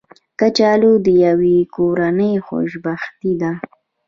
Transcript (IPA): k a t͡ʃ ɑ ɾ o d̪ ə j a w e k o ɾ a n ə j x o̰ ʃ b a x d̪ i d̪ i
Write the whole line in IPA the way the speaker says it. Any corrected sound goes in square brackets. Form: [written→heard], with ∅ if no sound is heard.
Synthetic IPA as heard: k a t͡ʃ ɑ [ɾ→l] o d̪ ə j a w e k o ɾ a n ə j x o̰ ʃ b a x [d̪→t̪] i d̪ [i→a]

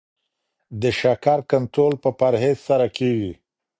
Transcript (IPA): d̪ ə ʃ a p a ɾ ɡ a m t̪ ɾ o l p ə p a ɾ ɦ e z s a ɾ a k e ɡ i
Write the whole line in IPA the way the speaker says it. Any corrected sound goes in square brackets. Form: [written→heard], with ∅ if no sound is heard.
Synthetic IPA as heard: d̪ ə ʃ a [p→k] a ɾ [ɡ→k] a [m→n] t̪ ɾ o l p ə p a ɾ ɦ e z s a ɾ a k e ɡ i

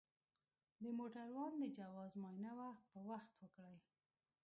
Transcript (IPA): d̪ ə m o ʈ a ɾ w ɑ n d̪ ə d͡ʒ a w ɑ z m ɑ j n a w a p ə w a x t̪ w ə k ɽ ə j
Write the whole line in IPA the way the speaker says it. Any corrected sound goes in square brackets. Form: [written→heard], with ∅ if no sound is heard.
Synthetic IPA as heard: d̪ ə m o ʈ a ɾ w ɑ n d̪ ə d͡ʒ a w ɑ z m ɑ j n a w a p ə w a x t̪ w ə k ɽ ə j

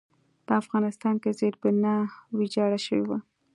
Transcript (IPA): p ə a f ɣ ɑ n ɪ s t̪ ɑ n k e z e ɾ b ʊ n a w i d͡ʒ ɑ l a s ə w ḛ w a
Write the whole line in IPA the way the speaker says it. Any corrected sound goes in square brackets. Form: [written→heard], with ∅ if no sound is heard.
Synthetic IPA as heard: p ə a f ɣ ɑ n ɪ s t̪ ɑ n k e z e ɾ b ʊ n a w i d͡ʒ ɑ [l→ɽ] a [s→ʃ] ə w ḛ w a

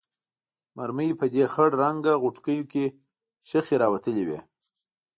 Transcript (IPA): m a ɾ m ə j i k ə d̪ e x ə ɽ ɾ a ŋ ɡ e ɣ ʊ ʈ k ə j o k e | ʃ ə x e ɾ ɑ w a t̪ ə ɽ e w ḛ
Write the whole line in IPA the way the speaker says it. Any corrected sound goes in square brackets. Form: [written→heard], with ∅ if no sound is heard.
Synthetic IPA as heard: m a ɾ m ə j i [k→p] ə d̪ e x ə ɽ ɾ a ŋ ɡ [e→a] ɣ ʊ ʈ k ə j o k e | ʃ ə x e ɾ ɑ w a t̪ ə [ɽ→l] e w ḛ

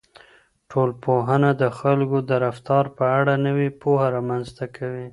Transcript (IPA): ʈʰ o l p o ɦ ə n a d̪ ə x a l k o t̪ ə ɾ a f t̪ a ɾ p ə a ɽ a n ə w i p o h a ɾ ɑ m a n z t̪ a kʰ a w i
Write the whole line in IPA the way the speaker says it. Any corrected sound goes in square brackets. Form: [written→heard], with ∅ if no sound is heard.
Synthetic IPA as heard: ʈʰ o l p o ɦ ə n a d̪ ə x a l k o [t̪→d̪] ə ɾ a f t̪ [a→ɑ] ɾ p ə a ɽ a n ə w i p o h a ɾ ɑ m a n z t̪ a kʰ a w i

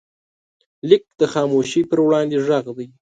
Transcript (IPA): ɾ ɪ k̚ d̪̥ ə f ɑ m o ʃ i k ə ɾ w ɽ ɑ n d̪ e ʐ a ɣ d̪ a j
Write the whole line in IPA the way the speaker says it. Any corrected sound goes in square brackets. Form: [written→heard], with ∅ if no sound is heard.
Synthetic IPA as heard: [ɾ→l] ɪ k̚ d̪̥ ə [f→x] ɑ m o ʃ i [k→p] ə ɾ w ɽ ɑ n d̪ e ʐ a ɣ d̪ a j

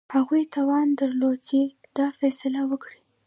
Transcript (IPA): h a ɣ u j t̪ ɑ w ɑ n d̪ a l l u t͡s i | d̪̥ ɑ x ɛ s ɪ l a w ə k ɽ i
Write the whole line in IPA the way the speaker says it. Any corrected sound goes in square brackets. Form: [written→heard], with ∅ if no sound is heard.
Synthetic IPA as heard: h a ɣ u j t̪ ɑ w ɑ n d̪ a [l→ɾ] l [u→o] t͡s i | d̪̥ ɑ [x→f] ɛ s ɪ l a w ə k ɽ i

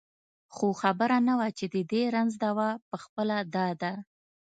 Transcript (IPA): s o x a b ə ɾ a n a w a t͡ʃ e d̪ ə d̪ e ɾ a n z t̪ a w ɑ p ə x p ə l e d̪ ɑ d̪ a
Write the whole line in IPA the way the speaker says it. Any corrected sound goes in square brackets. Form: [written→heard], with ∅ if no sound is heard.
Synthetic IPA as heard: [s→x] o x a b ə ɾ a n a w a t͡ʃ e d̪ ə d̪ e ɾ a n z [t̪→d̪] a w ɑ p ə x p ə l [e→a] d̪ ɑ d̪ a

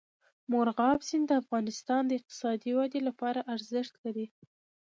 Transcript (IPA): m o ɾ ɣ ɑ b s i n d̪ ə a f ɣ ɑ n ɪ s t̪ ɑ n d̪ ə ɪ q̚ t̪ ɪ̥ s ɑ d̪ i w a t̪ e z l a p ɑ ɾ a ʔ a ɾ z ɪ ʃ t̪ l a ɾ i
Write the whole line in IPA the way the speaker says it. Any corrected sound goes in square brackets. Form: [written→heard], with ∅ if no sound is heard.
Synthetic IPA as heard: m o ɾ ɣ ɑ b s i n d̪ ə a f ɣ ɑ n ɪ s t̪ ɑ n d̪ ə ɪ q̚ t̪ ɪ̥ s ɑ d̪ i w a [t̪→d̪] e [z→∅] l a p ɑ ɾ a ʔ a ɾ z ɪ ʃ t̪ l a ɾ i

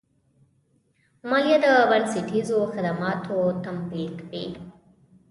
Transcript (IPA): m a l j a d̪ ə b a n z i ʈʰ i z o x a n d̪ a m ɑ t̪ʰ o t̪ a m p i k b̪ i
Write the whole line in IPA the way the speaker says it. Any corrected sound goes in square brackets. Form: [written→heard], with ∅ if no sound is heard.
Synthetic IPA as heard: m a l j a d̪ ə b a n [z→s] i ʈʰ i z o x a [n→∅] d̪ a m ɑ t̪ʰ o t̪ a m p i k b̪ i

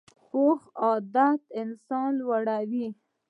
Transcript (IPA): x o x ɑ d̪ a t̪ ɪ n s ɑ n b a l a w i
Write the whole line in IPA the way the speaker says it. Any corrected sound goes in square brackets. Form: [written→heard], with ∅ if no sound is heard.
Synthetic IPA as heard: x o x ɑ d̪ a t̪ ɪ n s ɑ n [b→w] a [l→ɽ] a w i

